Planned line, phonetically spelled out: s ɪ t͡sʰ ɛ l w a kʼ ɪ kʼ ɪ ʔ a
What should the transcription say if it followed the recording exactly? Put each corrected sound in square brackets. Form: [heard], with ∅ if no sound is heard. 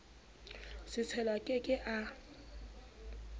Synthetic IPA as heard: s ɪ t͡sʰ ɛ l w a kʼ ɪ kʼ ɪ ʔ a